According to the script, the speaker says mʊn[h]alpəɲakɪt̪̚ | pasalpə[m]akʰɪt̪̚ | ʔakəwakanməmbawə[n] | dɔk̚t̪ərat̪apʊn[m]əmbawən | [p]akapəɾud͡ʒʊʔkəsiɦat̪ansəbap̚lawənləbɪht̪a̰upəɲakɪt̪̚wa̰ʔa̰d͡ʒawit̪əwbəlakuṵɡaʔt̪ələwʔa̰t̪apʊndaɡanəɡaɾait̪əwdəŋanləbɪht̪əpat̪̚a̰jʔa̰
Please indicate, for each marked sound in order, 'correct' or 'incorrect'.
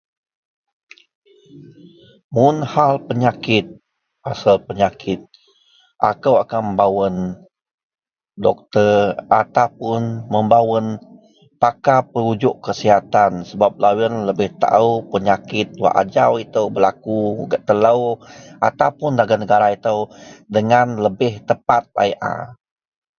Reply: correct, incorrect: ɲ, correct, correct, correct

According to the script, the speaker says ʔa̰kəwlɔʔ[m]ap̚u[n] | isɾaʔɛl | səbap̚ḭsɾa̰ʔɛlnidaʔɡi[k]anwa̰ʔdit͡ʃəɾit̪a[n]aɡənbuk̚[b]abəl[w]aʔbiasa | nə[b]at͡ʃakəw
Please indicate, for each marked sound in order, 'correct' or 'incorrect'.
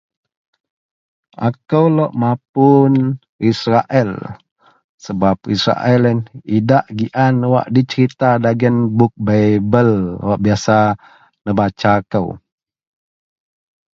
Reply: correct, correct, incorrect: ʔ, incorrect: d, correct, correct, correct

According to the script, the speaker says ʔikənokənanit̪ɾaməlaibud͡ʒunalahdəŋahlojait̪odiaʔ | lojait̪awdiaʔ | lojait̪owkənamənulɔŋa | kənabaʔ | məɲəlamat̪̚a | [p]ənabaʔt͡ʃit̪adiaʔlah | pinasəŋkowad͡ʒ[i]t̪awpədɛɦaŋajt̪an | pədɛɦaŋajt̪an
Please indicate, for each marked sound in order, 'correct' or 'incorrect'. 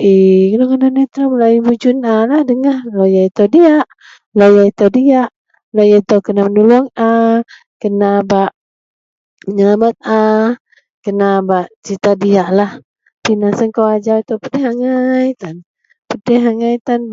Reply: incorrect: k, incorrect: a

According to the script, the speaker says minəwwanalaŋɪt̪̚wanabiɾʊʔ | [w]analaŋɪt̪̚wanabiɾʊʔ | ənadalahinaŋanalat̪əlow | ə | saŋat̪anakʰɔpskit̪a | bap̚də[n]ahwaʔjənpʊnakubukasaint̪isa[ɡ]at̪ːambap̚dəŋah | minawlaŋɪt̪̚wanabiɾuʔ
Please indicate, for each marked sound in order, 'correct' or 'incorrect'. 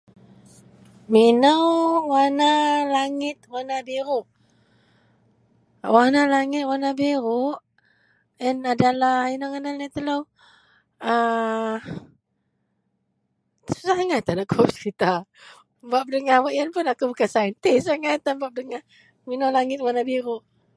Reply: correct, incorrect: ŋ, incorrect: ŋ

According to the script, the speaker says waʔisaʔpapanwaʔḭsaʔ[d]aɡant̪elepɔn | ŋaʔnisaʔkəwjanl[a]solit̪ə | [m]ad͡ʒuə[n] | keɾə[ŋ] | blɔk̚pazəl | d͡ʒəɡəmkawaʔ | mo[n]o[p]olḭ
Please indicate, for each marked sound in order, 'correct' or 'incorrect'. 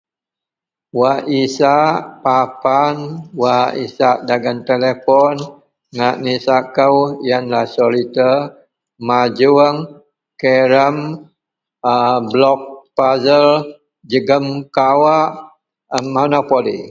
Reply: correct, correct, correct, incorrect: ŋ, incorrect: m, correct, correct

